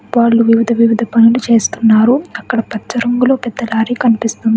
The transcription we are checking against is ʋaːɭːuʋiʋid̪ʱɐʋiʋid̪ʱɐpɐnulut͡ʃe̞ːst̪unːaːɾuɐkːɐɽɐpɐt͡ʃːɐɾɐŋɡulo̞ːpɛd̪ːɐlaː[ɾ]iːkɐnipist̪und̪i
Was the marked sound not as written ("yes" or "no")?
no